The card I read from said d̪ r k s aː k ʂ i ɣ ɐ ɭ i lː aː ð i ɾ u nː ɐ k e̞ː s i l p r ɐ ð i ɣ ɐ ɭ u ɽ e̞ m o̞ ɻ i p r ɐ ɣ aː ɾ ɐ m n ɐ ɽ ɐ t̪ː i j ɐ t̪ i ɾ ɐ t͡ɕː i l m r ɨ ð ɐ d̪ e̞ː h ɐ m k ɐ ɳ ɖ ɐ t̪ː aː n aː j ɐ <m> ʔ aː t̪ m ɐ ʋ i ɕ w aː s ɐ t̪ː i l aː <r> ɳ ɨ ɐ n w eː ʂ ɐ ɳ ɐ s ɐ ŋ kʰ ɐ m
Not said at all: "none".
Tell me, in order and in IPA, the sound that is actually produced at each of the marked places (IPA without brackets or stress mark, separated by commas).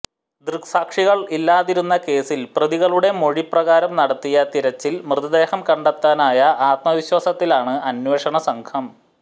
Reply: none, none